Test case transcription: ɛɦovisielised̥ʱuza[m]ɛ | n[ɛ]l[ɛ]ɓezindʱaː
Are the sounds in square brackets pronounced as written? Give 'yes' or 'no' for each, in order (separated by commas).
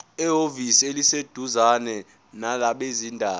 no, no, no